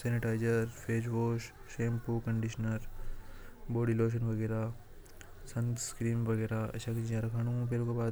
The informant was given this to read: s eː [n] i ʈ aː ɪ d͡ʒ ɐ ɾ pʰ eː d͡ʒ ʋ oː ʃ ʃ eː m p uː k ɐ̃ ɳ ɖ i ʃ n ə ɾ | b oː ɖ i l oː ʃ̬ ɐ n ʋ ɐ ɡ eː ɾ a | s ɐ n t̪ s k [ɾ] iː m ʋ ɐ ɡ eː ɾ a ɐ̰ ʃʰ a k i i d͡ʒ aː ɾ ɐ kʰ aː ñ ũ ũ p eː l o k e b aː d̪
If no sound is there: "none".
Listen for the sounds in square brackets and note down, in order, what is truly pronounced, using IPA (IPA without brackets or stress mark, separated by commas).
n, ɾ